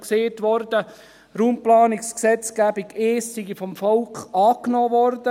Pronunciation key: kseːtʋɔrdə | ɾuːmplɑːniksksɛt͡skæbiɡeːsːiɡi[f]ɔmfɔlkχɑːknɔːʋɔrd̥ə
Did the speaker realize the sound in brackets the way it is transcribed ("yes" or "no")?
yes